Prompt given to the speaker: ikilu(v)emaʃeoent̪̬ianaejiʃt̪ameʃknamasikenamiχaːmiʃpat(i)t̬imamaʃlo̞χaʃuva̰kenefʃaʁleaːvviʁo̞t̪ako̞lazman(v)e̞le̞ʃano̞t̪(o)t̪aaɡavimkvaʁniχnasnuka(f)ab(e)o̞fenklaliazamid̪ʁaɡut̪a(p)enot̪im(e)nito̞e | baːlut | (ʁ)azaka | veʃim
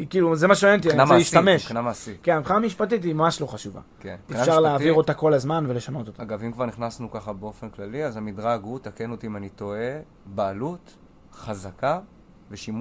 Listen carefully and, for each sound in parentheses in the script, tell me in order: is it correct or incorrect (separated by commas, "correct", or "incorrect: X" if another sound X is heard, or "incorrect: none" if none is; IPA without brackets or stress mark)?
incorrect: z, correct, correct, correct, incorrect: χ, correct, incorrect: k, incorrect: a, incorrect: χ